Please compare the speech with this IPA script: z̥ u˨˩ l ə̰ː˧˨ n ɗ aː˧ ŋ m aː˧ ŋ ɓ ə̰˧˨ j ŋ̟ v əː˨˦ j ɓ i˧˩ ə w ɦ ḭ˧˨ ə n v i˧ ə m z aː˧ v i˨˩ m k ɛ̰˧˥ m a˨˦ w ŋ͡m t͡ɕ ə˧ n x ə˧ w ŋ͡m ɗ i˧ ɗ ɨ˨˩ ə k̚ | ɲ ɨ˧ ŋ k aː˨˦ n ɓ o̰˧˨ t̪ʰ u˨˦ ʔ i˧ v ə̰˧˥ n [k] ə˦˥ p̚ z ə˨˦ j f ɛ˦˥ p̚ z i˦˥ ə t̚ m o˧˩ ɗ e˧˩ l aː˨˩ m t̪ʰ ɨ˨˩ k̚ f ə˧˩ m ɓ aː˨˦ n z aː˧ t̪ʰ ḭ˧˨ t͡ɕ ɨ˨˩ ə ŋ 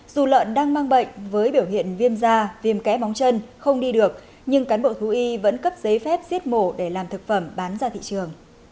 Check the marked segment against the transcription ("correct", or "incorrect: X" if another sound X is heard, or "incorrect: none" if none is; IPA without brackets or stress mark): correct